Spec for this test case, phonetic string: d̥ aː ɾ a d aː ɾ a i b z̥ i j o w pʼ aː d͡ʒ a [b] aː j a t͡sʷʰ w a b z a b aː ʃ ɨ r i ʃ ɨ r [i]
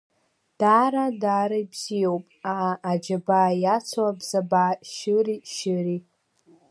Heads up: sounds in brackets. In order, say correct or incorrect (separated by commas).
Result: correct, correct